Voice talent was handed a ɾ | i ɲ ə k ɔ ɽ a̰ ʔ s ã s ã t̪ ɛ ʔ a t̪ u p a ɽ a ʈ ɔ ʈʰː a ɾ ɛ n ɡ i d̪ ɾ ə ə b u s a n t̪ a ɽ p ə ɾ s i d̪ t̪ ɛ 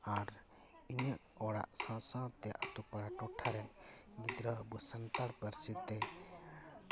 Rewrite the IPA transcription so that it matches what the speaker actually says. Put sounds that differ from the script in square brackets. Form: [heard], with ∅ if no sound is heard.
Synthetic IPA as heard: a ɾ | i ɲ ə [ʔ] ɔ ɽ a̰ ʔ s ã s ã t̪ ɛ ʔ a t̪ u p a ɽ a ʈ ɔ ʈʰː a ɾ ɛ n ɡ i d̪ ɾ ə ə b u s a n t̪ a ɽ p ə ɾ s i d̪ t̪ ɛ